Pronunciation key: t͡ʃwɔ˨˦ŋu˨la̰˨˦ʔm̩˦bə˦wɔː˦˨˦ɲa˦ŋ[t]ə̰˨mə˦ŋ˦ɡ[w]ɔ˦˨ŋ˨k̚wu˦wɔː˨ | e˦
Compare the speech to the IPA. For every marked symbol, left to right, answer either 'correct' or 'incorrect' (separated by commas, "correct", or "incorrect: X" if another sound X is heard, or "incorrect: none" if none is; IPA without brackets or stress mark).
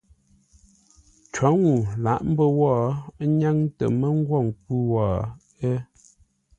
correct, correct